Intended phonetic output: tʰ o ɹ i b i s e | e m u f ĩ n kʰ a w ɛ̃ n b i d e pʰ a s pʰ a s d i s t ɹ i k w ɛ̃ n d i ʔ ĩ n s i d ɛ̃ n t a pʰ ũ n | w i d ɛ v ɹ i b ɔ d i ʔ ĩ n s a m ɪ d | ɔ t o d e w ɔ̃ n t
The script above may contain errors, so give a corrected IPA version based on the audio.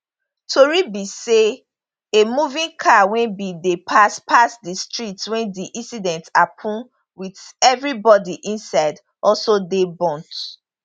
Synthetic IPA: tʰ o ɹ i b i s e | e m u v ĩ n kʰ a w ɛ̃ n b i d e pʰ a s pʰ a s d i s t ɹ i t w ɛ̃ n d i ʔ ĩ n s i d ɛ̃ n t a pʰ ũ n | w i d ɛ v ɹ i b ɔ d i ʔ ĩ n s a ɪ d | ɔ s o d e b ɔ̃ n t